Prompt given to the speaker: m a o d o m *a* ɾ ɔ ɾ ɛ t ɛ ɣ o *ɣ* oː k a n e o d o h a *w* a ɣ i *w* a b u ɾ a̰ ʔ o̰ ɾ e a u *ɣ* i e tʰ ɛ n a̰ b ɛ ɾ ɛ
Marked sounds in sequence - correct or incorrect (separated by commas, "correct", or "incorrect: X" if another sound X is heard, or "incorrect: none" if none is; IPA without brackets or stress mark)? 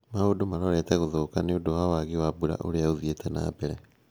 correct, incorrect: ð, correct, correct, incorrect: ð